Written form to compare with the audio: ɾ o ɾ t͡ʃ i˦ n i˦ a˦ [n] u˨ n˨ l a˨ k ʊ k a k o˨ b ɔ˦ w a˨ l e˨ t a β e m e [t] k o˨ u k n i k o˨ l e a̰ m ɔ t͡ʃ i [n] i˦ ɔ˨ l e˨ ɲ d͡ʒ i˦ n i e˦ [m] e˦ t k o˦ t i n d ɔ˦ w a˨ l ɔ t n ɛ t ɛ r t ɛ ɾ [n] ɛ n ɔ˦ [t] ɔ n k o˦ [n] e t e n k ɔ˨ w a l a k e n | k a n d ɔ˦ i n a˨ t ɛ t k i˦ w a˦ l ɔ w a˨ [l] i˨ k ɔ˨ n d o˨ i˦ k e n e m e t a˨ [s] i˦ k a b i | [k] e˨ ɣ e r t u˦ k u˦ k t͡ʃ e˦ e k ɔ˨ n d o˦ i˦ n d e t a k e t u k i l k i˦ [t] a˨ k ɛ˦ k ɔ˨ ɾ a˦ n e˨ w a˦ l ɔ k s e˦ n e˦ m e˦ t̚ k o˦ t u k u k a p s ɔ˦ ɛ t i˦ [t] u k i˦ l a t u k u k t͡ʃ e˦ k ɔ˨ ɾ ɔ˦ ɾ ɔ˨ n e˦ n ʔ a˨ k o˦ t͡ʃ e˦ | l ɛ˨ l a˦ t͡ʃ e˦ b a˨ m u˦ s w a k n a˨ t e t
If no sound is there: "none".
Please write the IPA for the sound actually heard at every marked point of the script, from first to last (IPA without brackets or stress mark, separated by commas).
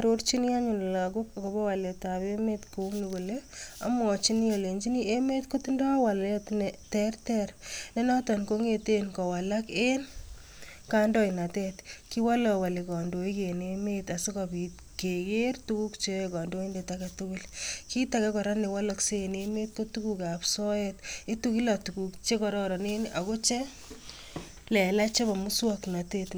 ɲ, t, n, m, n, t, ŋ, l, s, k, t, t